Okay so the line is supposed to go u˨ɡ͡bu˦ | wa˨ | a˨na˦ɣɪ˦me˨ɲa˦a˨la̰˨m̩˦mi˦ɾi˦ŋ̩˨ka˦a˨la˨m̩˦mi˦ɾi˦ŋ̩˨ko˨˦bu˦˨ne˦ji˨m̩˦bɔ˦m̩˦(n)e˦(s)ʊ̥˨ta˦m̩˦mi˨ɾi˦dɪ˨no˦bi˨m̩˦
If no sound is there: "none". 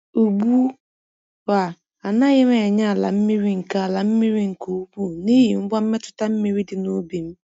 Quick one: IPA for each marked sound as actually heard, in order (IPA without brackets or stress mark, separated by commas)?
m, t